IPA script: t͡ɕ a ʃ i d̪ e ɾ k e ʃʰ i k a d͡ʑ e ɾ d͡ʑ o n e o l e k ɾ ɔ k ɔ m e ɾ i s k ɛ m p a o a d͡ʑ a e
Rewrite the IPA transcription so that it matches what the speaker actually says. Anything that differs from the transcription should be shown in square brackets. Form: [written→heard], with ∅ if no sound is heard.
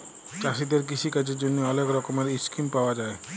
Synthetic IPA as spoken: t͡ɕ a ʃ i d̪ e ɾ k [e→i] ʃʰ i k a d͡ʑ e ɾ d͡ʑ o [n→nː] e [o→ɔ] l e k ɾ ɔ k [ɔ→o] m e ɾ i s k [ɛ→i] m p a o a d͡ʑ a e